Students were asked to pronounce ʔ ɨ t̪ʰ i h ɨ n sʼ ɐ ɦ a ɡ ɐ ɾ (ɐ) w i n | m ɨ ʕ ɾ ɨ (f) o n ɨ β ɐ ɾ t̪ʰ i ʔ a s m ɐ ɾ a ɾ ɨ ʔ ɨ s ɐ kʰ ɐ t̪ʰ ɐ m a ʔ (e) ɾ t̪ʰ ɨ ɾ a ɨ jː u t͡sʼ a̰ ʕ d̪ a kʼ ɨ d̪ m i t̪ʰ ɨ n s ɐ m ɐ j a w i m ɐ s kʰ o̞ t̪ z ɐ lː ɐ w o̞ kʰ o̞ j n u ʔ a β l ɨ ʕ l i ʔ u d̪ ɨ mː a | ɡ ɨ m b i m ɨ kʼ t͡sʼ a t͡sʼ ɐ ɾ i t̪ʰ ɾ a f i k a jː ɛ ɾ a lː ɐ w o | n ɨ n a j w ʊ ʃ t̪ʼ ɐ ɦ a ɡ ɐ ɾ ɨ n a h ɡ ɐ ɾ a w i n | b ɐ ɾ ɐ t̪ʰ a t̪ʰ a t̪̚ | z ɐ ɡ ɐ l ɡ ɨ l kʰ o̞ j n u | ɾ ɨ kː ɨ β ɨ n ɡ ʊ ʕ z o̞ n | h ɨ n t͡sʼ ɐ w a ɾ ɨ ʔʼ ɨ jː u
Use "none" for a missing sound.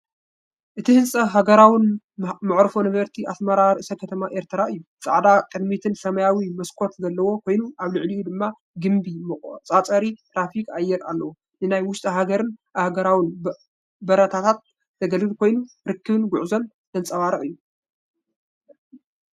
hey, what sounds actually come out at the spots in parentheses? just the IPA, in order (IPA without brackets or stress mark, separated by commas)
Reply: a, f, e